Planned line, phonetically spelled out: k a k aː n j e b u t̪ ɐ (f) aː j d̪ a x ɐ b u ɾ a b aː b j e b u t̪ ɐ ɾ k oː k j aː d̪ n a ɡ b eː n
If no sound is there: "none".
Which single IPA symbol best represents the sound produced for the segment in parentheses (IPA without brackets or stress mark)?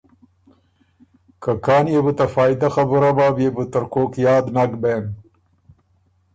f